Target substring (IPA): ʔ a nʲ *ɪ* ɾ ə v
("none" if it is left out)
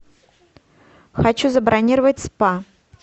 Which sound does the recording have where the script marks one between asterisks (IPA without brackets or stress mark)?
i